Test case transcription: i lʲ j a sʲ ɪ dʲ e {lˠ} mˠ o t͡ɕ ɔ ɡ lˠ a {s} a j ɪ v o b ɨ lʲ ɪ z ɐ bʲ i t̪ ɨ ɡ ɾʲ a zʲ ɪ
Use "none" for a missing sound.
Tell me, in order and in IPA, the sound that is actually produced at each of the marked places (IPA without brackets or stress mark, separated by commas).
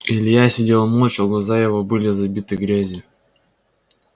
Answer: lˠ, z